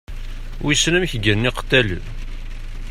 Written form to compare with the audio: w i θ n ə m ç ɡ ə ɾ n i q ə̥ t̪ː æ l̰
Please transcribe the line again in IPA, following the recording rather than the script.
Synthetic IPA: w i s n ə m ç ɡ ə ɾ n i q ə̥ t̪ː æ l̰

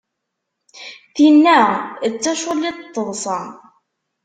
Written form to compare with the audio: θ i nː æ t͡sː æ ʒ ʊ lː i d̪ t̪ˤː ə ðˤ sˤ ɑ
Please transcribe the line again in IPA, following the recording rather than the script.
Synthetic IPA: θ i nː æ t͡sː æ ʃ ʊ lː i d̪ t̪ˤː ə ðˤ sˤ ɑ

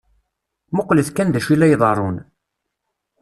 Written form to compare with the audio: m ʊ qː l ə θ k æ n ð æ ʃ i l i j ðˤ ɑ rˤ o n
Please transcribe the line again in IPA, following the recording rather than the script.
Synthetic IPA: m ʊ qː l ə θ k æ n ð æ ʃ i l æ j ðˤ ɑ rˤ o n

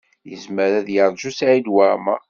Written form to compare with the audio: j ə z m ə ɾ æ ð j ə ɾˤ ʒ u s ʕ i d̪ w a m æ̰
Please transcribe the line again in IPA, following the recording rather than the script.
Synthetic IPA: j ə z m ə ɾ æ ð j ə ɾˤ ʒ u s ʕ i d̪ w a m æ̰

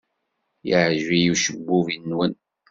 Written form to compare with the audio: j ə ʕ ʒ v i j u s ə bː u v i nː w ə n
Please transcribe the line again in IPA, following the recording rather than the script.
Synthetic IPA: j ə ʕ ʒ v i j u ʃ ə bː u v i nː w ə n

